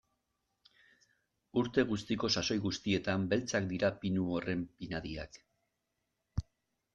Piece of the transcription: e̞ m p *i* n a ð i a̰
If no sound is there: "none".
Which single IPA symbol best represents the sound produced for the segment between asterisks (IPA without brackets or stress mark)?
i